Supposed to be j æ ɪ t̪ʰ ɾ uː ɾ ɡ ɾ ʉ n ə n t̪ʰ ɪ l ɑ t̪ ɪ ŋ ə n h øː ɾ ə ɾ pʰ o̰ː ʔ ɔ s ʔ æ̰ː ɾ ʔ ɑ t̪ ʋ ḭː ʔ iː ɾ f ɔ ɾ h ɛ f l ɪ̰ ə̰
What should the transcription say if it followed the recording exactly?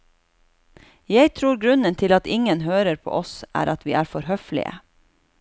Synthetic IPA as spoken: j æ ɪ t̪ʰ ɾ uː ɾ ɡ ɾ ʉ n ə n t̪ʰ ɪ l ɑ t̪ ɪ ŋ ə n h øː ɾ ə ɾ pʰ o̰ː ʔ ɔ s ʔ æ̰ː ɾ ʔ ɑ t̪ ʋ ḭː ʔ æː ɾ f ɔ ɾ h œ f l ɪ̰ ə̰

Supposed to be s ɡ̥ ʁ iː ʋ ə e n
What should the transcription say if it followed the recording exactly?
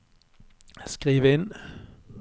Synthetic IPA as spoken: s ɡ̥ ʁ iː ʋ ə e n

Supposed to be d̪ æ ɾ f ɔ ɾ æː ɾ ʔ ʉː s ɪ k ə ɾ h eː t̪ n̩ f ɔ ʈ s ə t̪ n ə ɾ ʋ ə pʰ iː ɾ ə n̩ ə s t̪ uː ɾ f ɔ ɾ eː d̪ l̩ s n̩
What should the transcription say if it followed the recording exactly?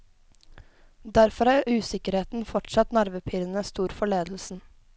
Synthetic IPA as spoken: d̪ æ ɾ f ɔ ɾ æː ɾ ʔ ʉː s ɪ k ə ɾ h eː t̪ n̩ f ɔ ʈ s ɑ t̪ n ɑ ɾ ʋ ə pʰ iː ɾ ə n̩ ə s t̪ uː ɾ f ɔ ɭ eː d̪ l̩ s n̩

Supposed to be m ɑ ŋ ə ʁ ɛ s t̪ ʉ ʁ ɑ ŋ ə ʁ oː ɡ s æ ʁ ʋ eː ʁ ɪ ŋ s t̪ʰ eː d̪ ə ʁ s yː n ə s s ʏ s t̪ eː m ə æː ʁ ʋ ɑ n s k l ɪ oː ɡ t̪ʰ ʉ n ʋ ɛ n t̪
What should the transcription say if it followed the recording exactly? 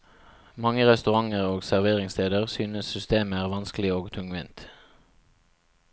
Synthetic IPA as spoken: m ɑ ŋ ə ʁ ɛ s t̪ ʉ ʁ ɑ ŋ ə ʁ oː ɡ s æ ʁ ʋ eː ʁ ɪ ŋ s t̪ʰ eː d̪ ə ʁ s yː n ə s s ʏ s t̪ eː m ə æː ʁ ʋ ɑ n s k l ɪ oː ɡ t̪ʰ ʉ ŋ ʋ ɛ n t̪

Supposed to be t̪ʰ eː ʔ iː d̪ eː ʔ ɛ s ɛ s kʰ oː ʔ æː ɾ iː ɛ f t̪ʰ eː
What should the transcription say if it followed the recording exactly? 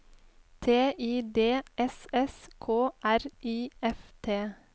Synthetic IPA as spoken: t̪ʰ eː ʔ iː d̪ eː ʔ ɛ s ɛ s kʰ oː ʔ æ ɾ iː ɛ f t̪ʰ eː

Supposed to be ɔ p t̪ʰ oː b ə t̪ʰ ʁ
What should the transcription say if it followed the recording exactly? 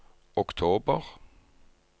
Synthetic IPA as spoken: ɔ k t̪ʰ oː b ə ʁ

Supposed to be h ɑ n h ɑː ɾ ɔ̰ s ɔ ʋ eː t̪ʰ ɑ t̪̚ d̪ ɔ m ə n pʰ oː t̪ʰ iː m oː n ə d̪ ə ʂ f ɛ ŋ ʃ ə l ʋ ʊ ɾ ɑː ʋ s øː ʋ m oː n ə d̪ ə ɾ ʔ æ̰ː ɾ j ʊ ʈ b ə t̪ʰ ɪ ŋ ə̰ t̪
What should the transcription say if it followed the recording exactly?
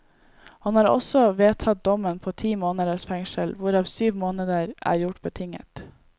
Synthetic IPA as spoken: h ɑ n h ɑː ɾ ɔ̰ s ɔ ʋ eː t̪ʰ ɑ t̪̚ d̪ ɔ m ə n pʰ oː t̪ʰ iː m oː n ə d̪ ə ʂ f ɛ ŋ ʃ ə l ʋ ʊ ɾ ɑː ʋ s yː ʋ m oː n ə d̪ ə ɾ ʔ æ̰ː ɾ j ʊ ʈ b ə t̪ʰ ɪ ŋ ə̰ t̪

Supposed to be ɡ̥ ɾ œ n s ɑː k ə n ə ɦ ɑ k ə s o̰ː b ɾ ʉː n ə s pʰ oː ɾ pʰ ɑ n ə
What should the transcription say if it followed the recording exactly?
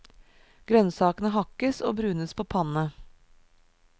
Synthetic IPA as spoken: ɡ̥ ɾ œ n s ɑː k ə n ə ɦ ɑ k ə s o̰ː b ɾ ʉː n ə s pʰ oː pʰ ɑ n ə

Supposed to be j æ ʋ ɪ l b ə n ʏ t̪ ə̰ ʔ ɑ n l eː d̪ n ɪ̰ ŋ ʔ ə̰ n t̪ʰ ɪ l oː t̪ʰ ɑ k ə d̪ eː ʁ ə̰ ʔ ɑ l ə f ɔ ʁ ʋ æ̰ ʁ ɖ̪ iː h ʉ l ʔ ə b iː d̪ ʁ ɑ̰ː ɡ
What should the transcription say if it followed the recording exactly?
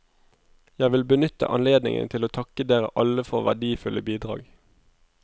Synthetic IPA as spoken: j æ ʋ ɪ l b ə n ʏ t̪ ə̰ ʔ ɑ n l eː d̪ n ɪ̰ ŋ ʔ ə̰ n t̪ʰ ɪ l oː t̪ʰ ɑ k ə d̪ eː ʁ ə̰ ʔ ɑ l ə f ɔ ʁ ʋ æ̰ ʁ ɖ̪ iː f ʉ l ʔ ə b iː d̪ ʁ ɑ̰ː ɡ

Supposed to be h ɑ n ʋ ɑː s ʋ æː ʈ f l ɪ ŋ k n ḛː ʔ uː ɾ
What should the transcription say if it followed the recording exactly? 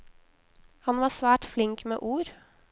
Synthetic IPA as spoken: h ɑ n ʋ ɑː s ʋ æː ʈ f l ɪ ŋ k m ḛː ʔ uː ɾ

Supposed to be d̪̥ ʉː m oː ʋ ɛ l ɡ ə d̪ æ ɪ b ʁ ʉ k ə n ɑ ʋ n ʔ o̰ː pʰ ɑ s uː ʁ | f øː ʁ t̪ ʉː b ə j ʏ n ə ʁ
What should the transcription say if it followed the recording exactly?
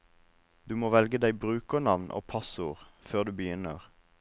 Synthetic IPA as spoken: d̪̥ ʉː m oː ʋ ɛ l ɡ ə d̪ æ ɪ b ʁ ʉː k ə n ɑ ʋ n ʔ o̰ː pʰ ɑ s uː ʁ | f øː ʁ d̪ ʉː b ə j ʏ n ə ʁ

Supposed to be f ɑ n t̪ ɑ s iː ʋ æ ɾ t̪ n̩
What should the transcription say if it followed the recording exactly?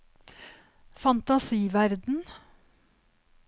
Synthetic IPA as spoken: f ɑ n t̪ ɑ s iː ʋ æ ɾ d̪ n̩

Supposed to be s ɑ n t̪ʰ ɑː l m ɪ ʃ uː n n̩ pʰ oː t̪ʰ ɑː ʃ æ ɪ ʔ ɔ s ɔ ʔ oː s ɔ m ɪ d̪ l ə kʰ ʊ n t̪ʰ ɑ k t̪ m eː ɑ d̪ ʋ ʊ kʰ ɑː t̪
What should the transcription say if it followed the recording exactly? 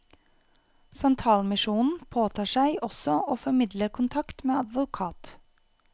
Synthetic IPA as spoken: s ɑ n t̪ʰ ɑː l m ɪ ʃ uː n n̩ pʰ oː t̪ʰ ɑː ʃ æ ɪ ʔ ɔ s ɔ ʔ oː f ɔ m ɪ d̪ l ə kʰ ʊ n t̪ʰ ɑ k t̪ m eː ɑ d̪ ʋ ʊ kʰ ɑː t̪

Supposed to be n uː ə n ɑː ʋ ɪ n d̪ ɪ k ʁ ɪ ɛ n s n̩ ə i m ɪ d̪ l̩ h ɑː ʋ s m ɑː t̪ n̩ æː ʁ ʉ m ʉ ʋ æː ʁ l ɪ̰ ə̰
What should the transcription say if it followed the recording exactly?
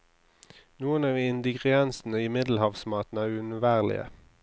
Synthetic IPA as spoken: n uː ə n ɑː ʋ ɪ n d̪ ɪ ɡ ʁ ɪ ɛ n s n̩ ə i m ɪ d̪ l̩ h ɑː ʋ s m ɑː t̪ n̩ æː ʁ ʉ n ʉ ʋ æː ʁ l ɪ̰ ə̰

